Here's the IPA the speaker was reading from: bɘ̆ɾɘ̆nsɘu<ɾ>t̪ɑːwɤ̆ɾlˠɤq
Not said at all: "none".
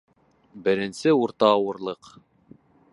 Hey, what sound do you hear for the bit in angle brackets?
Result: ɾ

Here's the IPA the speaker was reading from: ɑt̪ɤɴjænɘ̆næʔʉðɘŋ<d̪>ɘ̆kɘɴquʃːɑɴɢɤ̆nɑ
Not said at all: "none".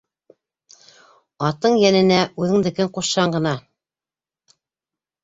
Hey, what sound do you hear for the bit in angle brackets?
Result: d̪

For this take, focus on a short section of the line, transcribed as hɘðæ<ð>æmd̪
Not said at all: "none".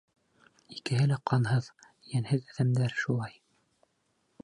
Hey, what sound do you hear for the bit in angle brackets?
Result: ð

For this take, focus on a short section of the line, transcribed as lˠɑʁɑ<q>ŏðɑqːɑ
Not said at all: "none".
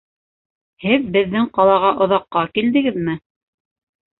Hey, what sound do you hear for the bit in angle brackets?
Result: ʔ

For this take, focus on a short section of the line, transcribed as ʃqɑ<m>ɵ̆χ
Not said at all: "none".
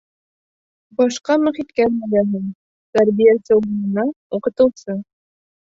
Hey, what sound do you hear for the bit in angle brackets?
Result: m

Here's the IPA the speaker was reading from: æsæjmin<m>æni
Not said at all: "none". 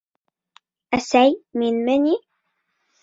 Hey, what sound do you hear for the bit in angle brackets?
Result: m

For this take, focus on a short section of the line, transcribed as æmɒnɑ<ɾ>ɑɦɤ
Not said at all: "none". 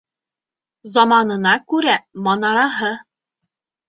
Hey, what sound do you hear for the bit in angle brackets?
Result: ɾ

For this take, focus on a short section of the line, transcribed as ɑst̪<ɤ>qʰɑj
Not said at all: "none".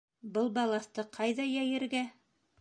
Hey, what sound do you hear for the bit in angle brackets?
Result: ɤ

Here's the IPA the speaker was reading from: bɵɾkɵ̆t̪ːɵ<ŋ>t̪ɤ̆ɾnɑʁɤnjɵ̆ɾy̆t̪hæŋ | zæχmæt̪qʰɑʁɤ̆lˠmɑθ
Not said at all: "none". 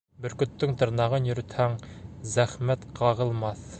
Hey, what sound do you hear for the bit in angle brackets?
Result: ŋ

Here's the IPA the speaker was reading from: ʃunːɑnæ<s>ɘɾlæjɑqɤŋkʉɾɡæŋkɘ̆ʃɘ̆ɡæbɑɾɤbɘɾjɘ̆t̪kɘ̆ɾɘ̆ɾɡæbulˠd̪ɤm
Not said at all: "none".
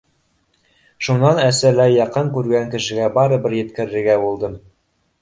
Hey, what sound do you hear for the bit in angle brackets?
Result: s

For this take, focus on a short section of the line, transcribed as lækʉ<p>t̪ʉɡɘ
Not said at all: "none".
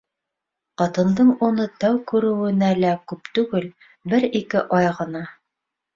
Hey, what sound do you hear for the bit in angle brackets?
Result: p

